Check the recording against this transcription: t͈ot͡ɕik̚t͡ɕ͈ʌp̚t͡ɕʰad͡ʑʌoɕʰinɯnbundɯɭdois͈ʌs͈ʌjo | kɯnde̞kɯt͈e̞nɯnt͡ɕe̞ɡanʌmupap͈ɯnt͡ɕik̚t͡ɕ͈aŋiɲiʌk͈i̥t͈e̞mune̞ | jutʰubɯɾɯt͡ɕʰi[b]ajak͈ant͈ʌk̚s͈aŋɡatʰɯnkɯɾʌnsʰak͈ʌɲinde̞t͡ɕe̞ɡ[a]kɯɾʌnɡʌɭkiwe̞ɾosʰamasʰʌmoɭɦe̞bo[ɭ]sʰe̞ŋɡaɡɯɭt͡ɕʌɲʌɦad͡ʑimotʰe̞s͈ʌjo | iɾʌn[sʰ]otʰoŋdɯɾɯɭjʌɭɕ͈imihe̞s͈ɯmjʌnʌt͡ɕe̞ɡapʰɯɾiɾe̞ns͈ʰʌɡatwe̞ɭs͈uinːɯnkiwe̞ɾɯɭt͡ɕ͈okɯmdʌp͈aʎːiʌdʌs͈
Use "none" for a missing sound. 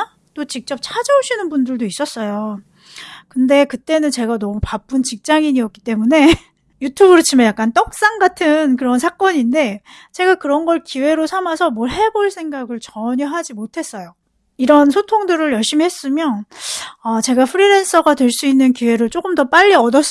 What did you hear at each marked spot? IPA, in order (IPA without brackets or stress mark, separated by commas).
m, a, ɭ, sʰ